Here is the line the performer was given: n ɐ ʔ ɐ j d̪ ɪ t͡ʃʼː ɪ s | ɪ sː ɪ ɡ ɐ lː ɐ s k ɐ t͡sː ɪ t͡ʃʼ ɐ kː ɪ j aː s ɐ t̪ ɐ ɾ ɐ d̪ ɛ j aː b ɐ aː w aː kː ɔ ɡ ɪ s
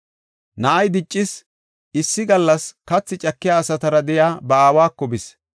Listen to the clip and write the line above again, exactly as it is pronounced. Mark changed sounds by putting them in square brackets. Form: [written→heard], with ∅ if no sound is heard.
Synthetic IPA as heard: n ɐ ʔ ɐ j d̪ ɪ t͡ʃʼː ɪ s | ɪ sː ɪ ɡ ɐ lː ɐ s k ɐ t͡sː ɪ t͡ʃʼ ɐ kː ɪ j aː s ɐ t̪ ɐ ɾ ɐ d̪ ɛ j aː b ɐ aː w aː kː ɔ [ɡ→b] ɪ s